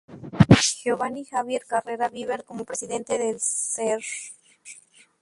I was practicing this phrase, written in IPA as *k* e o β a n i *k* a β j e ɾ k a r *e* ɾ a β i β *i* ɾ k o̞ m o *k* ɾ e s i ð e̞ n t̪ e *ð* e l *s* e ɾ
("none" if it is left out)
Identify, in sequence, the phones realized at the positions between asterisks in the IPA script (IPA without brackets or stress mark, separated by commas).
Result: x, x, e, e, p, ð, s